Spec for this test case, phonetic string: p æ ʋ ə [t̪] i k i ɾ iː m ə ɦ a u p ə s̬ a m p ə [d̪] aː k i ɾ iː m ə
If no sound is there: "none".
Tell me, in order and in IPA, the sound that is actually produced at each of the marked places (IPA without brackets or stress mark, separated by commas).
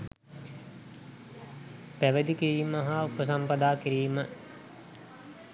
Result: d̪, d̪